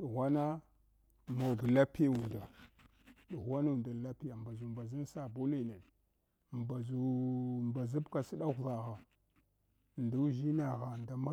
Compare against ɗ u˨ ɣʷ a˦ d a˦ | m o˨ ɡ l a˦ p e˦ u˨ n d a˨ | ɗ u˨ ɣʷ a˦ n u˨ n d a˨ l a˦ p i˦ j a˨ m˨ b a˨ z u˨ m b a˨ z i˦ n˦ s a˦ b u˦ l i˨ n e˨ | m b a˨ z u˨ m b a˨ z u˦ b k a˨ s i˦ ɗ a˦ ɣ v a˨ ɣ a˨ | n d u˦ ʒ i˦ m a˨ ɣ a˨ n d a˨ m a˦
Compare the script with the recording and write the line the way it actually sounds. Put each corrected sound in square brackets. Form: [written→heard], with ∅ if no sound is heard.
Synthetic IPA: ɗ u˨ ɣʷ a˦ [d→n] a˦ | m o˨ ɡ l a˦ p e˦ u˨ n d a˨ | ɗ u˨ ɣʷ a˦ n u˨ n d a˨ l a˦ p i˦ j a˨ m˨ b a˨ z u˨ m b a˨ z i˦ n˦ s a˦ b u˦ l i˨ n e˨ | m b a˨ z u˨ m b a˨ z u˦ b k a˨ s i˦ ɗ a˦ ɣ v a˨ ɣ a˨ | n d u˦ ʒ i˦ [m→n] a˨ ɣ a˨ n d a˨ m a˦